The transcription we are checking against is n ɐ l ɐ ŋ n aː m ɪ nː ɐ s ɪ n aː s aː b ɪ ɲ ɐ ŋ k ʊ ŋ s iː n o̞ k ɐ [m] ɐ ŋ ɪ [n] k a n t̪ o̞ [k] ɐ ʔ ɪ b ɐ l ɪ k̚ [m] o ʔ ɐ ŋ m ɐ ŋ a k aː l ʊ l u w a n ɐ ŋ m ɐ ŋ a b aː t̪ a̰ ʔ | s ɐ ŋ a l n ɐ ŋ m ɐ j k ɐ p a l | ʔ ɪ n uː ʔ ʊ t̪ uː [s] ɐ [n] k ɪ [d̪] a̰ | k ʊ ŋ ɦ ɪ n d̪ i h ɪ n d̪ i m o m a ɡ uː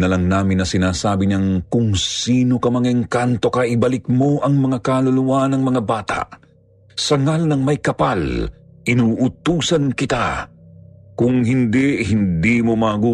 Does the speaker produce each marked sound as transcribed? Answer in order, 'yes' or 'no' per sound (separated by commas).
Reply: yes, no, yes, yes, yes, yes, no